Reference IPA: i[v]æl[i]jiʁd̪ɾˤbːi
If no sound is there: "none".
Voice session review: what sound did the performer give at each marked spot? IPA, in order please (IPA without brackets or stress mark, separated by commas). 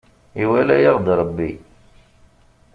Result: w, æ